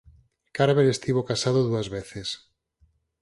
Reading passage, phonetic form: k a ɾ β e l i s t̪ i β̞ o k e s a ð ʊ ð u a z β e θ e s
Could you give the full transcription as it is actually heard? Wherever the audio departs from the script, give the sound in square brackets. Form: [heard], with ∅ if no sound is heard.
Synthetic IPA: k a ɾ β e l [e] s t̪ i β̞ o k [a] s a ð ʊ ð u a z β e θ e s